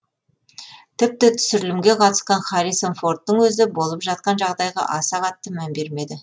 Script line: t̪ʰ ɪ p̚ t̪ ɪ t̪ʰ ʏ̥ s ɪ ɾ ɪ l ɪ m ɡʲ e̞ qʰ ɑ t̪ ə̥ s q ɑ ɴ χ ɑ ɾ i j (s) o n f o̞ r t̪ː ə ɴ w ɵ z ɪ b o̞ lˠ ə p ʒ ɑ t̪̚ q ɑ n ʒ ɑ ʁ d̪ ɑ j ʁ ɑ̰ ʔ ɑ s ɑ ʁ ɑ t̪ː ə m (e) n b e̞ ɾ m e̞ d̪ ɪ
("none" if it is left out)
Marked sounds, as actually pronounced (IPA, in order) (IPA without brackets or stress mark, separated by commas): s, æ